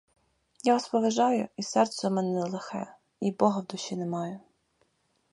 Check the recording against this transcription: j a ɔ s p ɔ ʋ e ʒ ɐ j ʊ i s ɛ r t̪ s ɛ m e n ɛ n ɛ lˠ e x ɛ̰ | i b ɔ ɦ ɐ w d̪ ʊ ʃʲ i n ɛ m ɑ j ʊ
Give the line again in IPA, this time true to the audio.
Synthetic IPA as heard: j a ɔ s p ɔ ʋ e ʒ ɑ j ʊ i s ɛ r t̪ s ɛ m ɛ n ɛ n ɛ lˠ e x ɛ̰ | i b ɔ ɦ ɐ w d̪ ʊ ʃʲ i n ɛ m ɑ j ʊ